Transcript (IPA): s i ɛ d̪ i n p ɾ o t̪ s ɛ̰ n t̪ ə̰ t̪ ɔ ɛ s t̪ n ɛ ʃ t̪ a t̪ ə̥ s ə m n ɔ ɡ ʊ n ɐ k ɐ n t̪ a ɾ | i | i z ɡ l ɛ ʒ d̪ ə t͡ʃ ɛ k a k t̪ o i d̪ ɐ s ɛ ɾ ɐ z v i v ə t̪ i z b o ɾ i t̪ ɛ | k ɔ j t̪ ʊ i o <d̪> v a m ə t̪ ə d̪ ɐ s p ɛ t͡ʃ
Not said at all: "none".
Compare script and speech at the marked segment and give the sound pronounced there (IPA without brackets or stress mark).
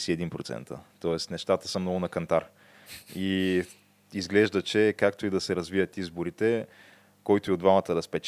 d̪